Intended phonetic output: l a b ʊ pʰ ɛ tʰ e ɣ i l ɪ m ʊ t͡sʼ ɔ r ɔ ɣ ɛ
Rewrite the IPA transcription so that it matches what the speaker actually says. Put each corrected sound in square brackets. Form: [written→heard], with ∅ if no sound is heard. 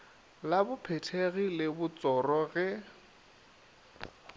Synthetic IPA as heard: l a b ʊ pʰ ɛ tʰ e ɣ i l ɪ [m→b] ʊ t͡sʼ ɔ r ɔ ɣ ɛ